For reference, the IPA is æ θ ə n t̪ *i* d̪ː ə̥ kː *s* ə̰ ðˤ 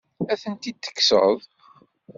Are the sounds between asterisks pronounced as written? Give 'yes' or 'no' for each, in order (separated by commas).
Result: yes, yes